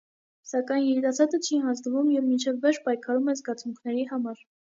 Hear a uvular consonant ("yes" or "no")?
no